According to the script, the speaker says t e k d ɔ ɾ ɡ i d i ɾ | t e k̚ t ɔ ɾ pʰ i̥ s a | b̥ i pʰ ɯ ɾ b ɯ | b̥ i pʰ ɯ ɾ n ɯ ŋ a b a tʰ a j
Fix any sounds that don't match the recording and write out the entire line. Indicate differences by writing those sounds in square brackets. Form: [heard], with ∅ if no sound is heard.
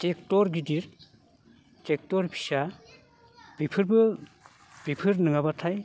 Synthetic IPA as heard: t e k [t] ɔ ɾ ɡ i d i ɾ | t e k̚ t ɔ ɾ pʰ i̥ s a | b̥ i pʰ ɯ ɾ b ɯ | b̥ i pʰ ɯ ɾ n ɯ ŋ a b a tʰ a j